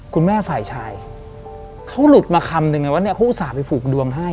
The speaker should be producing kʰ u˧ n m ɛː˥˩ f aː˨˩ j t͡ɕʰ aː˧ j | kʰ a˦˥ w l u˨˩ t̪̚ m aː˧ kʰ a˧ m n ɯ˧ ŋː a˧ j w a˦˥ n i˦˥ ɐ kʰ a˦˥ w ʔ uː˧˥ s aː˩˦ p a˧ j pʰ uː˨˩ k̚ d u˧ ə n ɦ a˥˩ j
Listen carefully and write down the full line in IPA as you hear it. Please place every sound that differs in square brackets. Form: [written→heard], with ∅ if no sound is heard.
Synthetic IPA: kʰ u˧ n m ɛː˥˩ f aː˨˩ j t͡ɕʰ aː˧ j | kʰ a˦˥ w l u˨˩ t̪̚ m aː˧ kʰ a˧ m n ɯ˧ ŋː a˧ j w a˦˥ n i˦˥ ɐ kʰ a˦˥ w ʔ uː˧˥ s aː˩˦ p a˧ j pʰ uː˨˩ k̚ d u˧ ə [n→ŋ] ɦ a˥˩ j

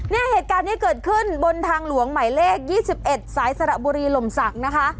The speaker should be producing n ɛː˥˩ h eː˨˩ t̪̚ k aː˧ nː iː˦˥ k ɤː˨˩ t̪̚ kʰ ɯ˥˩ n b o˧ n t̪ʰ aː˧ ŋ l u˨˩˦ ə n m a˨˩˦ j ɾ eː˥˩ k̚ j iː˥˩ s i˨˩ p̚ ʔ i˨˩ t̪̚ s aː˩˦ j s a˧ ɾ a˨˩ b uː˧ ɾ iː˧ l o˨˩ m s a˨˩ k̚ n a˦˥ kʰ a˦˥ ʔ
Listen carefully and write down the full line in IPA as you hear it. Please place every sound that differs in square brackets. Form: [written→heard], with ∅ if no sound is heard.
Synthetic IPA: n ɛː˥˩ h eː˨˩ t̪̚ k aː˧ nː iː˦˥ k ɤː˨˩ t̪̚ kʰ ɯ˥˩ n b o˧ n t̪ʰ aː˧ ŋ l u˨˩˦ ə [n→ŋ] m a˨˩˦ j [ɾ→l] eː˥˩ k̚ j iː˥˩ s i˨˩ p̚ ʔ [i˨˩→e˨˩] t̪̚ s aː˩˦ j s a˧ ɾ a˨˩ b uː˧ ɾ iː˧ l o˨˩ m s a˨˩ k̚ n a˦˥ kʰ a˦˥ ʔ

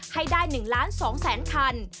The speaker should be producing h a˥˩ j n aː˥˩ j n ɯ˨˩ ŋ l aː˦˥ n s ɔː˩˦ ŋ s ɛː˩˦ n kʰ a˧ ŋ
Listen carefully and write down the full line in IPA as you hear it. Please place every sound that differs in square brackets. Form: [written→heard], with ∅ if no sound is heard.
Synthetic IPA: h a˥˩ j [n→d] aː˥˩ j n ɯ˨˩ ŋ l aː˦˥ n s ɔː˩˦ ŋ s ɛː˩˦ n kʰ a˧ [ŋ→n]

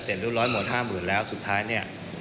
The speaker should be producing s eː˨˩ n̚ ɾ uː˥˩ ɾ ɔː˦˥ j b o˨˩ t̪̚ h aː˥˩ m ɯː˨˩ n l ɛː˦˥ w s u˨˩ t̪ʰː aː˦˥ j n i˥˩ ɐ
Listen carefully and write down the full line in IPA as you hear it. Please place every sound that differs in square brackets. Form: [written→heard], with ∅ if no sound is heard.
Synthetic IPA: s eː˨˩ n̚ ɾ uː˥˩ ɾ ɔː˦˥ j [b→m] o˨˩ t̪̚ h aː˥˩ m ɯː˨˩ n l ɛː˦˥ w s u˨˩ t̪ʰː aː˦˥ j n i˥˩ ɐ

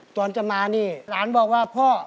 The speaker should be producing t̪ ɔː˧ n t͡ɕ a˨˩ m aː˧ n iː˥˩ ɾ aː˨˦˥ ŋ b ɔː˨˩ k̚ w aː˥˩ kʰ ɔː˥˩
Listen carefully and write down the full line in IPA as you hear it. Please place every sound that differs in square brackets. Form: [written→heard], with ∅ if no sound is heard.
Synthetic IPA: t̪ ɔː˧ n t͡ɕ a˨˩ m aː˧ n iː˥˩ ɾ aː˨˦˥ [ŋ→n] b ɔː˨˩ k̚ w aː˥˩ [kʰ→pʰ] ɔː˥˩

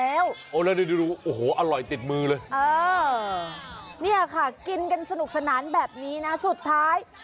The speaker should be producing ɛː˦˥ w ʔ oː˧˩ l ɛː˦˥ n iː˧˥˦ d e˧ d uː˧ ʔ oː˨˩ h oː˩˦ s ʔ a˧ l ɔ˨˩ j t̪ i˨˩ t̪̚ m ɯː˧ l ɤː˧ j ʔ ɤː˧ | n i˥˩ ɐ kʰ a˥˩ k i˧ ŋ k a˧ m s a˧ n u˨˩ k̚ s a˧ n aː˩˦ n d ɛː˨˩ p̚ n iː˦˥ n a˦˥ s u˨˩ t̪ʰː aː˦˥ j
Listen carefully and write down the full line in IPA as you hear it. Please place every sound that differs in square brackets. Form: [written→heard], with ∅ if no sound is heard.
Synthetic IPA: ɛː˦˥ w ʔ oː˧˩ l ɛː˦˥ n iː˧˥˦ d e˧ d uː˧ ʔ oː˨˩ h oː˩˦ [s→∅] ʔ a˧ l ɔ˨˩ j t̪ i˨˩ t̪̚ m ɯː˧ l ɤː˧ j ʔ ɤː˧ | n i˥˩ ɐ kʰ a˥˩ k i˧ [ŋ→n] k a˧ [m→n] s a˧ n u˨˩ k̚ s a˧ n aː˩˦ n [d→b] ɛː˨˩ p̚ n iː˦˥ n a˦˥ s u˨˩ t̪ʰː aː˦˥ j

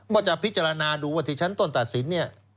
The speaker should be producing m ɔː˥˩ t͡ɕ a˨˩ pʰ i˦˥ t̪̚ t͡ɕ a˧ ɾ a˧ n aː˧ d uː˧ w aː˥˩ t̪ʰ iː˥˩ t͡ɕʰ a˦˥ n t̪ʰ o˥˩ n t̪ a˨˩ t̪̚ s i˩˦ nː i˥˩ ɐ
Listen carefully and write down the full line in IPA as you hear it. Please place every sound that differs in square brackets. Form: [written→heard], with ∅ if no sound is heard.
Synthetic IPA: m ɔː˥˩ t͡ɕ a˨˩ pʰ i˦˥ t̪̚ t͡ɕ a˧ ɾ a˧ n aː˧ d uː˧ w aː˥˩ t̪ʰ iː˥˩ t͡ɕʰ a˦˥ n [t̪ʰ→t̪] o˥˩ n t̪ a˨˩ t̪̚ s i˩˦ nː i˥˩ ɐ

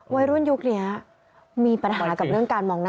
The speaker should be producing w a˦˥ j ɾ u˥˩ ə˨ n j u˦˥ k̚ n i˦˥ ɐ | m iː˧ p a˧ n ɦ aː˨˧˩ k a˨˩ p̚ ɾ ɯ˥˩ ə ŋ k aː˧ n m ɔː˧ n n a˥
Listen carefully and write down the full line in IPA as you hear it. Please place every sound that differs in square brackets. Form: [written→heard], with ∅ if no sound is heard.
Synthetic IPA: w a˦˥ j ɾ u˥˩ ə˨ n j u˦˥ k̚ n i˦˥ ɐ | m iː˧ p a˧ n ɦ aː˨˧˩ k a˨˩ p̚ ɾ ɯ˥˩ ə ŋ k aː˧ n m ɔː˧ [n→ŋ] n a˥

